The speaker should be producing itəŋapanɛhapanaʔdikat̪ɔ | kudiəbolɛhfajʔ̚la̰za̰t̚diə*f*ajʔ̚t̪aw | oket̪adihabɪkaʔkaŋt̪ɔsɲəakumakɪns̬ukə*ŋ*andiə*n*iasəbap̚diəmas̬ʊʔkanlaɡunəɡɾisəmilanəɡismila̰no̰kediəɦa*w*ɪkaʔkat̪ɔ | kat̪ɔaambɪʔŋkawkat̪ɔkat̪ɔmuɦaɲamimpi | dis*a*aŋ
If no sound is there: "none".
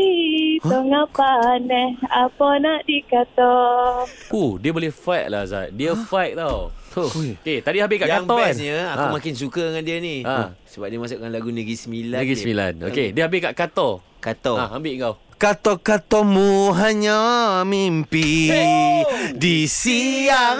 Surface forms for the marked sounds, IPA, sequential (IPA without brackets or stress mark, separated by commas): f, ŋ, n, b, i